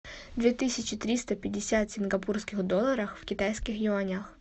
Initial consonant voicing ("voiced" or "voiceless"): voiced